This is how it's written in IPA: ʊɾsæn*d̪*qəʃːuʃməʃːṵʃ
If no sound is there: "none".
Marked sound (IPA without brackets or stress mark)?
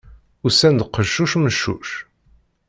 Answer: d̪